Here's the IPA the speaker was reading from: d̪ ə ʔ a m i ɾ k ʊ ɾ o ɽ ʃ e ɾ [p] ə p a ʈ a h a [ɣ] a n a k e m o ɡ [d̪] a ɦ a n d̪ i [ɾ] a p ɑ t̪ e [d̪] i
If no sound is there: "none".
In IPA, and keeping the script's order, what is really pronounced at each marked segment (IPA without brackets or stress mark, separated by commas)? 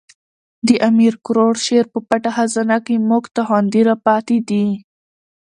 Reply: p, z, t̪, ɾ, d̪